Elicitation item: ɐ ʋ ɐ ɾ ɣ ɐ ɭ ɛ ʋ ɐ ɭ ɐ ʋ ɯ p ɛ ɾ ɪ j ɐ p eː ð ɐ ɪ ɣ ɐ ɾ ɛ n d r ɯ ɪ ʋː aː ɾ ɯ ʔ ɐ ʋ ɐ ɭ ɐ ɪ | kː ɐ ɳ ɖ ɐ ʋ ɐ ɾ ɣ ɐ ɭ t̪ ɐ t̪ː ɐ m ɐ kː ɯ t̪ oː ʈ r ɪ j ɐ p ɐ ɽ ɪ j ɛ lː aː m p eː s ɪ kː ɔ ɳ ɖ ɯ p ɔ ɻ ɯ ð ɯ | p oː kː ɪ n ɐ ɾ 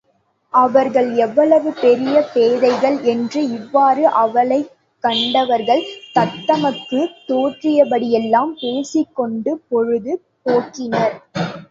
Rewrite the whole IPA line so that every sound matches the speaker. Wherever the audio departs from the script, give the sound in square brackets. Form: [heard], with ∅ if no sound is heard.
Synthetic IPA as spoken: ɐ ʋ ɐ ɾ ɣ ɐ ɭ ɛ [ʋː] ɐ ɭ ɐ ʋ ɯ p ɛ ɾ ɪ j ɐ p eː ð ɐ ɪ ɣ ɐ [ɭ] ɛ n d r ɯ ɪ ʋː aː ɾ ɯ ʔ ɐ ʋ ɐ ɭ ɐ ɪ | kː ɐ ɳ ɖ ɐ ʋ ɐ ɾ ɣ ɐ ɭ t̪ ɐ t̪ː ɐ m ɐ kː ɯ t̪ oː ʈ r ɪ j ɐ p ɐ ɽ ɪ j ɛ lː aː m p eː s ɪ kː ɔ ɳ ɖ ɯ p ɔ ɻ ɯ ð ɯ | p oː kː ɪ n ɐ ɾ